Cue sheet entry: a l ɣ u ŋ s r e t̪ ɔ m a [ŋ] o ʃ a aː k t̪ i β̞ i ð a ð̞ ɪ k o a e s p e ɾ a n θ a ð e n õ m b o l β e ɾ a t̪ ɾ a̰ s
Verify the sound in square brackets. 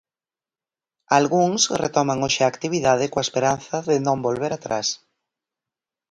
correct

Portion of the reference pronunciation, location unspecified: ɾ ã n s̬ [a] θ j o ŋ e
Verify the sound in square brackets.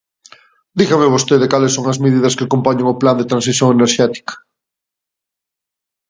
incorrect: i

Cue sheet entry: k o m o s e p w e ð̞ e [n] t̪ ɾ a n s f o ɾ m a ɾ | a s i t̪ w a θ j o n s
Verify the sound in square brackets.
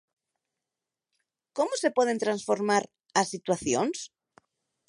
correct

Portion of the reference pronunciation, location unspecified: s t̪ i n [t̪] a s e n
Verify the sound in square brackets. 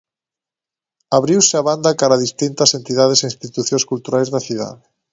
correct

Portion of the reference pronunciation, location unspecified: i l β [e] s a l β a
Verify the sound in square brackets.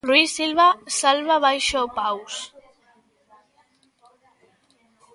incorrect: a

